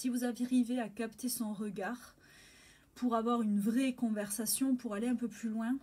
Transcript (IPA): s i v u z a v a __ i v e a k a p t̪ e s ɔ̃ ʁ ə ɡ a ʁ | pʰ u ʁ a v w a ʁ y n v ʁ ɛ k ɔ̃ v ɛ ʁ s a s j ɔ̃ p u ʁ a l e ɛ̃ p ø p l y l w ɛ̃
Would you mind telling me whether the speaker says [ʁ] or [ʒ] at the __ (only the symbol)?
ʁ